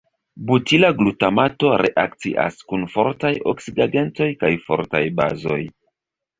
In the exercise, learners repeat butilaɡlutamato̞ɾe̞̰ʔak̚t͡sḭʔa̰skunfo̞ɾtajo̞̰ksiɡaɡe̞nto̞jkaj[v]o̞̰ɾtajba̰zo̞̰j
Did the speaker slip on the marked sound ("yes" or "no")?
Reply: yes